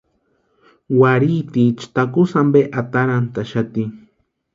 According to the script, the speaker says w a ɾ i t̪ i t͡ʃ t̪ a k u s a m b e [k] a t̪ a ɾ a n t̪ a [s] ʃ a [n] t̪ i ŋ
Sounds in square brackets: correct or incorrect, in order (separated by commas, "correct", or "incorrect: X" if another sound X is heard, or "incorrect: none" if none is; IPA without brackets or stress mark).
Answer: incorrect: ʔ, incorrect: none, incorrect: none